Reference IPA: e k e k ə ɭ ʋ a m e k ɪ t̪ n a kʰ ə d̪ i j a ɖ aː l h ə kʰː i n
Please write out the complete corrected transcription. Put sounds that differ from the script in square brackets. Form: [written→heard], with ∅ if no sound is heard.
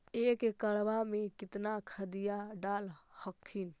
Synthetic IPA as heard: e k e k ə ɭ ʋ a m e k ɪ t̪ n a kʰ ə d̪ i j a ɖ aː l h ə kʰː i n

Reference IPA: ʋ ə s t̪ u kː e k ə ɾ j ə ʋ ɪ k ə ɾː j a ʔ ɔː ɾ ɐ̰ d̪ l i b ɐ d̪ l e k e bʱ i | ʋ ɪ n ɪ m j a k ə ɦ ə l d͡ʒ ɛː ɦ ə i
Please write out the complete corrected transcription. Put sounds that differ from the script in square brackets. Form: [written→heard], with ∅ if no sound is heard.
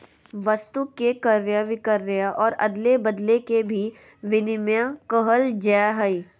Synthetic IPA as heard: ʋ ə s t̪ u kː e k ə ɾ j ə ʋ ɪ k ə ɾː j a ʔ ɔː ɾ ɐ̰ d̪ l [i→e] b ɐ d̪ l e k e bʱ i | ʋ ɪ n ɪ m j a k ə ɦ ə l d͡ʒ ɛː ɦ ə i

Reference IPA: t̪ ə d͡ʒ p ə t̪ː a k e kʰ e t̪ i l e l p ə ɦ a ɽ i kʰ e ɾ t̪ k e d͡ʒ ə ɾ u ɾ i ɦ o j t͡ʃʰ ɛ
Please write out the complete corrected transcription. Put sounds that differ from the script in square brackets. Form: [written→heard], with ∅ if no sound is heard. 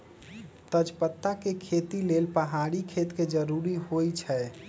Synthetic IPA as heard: t̪ ə d͡ʒ p ə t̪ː a k e kʰ e t̪ i l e l p ə ɦ a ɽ i kʰ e [ɾ→∅] t̪ k e d͡ʒ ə ɾ u ɾ i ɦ o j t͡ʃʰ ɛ

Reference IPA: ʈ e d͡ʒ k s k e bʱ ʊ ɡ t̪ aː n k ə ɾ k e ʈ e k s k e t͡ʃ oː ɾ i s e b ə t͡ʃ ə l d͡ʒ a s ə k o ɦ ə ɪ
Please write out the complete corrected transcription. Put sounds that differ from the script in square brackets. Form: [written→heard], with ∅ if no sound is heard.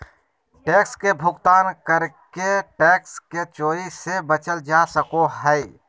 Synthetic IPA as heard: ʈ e [d͡ʒ→∅] k s k e bʱ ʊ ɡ t̪ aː n k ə ɾ k e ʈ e k s k e t͡ʃ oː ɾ i s e b ə t͡ʃ ə l d͡ʒ a s ə k o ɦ ə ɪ

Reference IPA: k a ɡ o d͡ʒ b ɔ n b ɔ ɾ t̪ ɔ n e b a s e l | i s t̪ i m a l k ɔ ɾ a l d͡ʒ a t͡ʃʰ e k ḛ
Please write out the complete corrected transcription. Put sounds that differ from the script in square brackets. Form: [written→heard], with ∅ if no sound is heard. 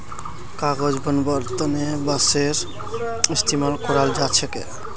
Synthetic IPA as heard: k a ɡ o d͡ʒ b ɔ n b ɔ ɾ t̪ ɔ n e b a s e [l→ɾ] | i s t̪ i m a l k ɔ ɾ a l d͡ʒ a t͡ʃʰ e k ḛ

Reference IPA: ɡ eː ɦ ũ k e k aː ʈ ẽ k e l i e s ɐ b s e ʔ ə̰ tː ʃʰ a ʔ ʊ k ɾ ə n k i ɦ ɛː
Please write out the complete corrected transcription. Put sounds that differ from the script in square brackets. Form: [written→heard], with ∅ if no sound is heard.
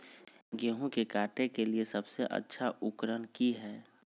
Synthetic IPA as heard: ɡ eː ɦ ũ k e k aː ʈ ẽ k e l i e s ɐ b s e ʔ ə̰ tː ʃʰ a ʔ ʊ k ɾ ə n k i ɦ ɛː

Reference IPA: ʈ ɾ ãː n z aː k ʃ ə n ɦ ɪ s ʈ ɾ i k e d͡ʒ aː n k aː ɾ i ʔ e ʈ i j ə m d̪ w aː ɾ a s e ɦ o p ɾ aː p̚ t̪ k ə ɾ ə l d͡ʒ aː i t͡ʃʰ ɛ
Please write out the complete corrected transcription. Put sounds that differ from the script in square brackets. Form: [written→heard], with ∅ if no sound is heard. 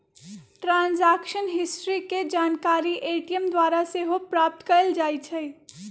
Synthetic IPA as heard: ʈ ɾ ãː n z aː k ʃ ə n ɦ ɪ s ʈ ɾ i k e d͡ʒ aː n k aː ɾ i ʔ e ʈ i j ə m d̪ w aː ɾ a s e ɦ o p ɾ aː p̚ t̪ k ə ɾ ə l d͡ʒ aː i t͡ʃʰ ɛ

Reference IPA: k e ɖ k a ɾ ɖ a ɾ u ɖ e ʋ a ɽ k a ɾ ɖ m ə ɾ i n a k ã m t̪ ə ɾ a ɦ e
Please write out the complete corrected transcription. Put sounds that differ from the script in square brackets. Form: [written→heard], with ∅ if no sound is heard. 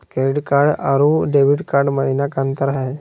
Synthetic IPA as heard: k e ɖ k a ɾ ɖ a ɾ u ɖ e ʋ [a→i] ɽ k a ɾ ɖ m ə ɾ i n a k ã [m→n] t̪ ə ɾ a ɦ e

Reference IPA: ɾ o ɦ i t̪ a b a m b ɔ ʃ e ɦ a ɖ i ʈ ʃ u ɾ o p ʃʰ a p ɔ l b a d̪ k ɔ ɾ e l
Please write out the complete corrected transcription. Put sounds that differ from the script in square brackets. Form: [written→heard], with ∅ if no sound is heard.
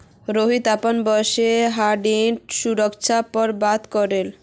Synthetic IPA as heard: ɾ o ɦ i t̪ a [b→p] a [m→n] b ɔ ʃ e ɦ a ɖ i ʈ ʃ u ɾ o [p→k] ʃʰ a p ɔ [l→ɾ] b a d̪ k ɔ ɾ e l

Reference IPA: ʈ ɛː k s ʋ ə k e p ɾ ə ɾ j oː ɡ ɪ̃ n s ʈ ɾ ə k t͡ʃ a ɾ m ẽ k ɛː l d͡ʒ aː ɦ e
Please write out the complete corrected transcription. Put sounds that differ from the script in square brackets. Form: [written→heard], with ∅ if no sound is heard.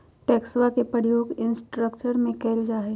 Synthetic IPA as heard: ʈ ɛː k s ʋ [ə→a] k e p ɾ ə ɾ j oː ɡ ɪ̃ n s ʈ ɾ ə k t͡ʃ [a→ə] ɾ m ẽ k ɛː l d͡ʒ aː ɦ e

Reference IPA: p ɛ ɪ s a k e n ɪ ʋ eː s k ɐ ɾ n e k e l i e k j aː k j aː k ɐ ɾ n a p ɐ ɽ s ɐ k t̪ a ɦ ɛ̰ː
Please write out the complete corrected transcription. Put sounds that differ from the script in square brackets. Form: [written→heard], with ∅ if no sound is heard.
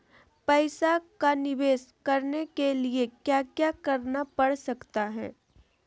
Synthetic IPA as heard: p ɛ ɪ s a k [e→a] n ɪ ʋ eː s k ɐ ɾ n e k e l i e k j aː k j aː k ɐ ɾ n a p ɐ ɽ s ɐ k t̪ a ɦ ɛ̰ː

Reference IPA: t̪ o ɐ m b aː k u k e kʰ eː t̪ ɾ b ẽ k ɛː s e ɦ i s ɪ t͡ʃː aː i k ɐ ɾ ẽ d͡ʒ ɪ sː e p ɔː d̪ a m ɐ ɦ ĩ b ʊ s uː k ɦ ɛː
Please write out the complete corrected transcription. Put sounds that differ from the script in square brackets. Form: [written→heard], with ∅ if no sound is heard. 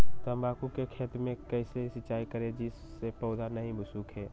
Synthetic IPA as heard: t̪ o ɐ m b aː k u k e kʰ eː t̪ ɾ [b→m] ẽ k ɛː s e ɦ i s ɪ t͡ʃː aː i k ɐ ɾ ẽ d͡ʒ ɪ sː e p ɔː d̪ a [m→n] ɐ ɦ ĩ b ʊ s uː k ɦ ɛː

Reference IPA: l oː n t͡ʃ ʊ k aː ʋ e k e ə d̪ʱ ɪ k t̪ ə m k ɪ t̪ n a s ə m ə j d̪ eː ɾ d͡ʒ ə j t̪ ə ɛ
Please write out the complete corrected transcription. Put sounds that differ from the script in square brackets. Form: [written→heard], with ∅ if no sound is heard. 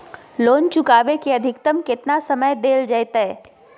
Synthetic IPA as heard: l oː n t͡ʃ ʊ k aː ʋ e k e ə d̪ʱ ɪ k t̪ ə m k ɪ t̪ n a s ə m ə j d̪ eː [ɾ→l] d͡ʒ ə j t̪ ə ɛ

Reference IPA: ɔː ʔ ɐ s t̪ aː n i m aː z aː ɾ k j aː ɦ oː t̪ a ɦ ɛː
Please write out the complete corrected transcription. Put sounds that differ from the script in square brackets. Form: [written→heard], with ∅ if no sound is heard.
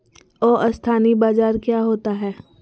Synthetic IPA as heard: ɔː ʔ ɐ s [t̪→t̪ʰ] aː n i [m→b] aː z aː ɾ k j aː ɦ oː t̪ a ɦ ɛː

